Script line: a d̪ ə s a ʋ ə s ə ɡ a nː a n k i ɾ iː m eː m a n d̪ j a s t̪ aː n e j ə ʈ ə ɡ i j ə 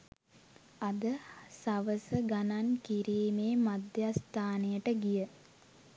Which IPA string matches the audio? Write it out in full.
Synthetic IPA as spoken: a d̪ ə s a ʋ ə s ə ɡ a n a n k i ɾ iː m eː m a d̪ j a s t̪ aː n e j ə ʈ ə ɡ i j ə